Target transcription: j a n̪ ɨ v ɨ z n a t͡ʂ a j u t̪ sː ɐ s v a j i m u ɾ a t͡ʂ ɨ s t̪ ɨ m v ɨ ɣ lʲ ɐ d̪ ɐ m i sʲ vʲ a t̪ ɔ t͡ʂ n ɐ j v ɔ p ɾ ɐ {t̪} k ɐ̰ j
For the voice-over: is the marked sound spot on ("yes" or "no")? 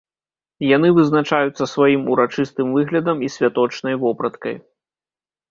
yes